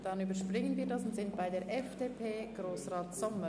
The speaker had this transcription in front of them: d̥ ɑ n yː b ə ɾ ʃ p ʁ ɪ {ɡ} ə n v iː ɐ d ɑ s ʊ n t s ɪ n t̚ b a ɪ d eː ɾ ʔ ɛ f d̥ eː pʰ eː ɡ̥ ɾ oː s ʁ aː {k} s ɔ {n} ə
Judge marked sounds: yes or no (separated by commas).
no, no, no